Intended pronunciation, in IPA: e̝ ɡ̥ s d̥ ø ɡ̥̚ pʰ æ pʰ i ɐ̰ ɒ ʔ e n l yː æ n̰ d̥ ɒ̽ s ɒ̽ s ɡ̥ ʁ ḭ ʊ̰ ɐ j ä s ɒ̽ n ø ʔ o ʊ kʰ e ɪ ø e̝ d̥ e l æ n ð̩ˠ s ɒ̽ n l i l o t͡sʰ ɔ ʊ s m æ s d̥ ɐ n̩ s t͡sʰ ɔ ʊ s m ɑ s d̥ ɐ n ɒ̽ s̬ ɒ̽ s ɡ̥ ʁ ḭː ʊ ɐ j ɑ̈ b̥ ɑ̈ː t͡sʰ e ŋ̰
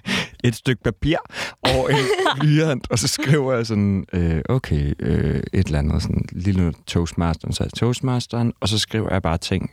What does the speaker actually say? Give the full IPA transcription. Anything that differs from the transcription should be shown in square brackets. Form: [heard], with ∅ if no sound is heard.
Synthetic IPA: e̝ [d̥] s d̥ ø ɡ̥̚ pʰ æ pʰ i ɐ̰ ɒ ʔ e n l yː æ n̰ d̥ ɒ̽ s ɒ̽ s ɡ̥ ʁ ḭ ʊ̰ ɐ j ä s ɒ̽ n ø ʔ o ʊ kʰ e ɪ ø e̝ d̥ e l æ n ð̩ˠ s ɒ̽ n l i l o t͡sʰ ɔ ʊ s m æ s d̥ ɐ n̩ s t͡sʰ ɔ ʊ s m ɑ s d̥ ɐ n ɒ̽ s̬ ɒ̽ s ɡ̥ ʁ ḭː ʊ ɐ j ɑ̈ b̥ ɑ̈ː t͡sʰ e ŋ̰